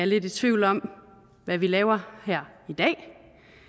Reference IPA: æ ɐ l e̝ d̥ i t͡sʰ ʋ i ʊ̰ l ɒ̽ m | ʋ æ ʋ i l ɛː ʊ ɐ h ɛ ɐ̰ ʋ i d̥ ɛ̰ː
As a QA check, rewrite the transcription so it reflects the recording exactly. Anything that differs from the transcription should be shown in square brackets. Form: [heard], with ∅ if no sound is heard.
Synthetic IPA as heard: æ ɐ l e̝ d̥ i t͡sʰ ʋ i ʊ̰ l ɒ̽ m | ʋ æ ʋ i l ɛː ʊ ɐ h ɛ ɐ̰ [∅] i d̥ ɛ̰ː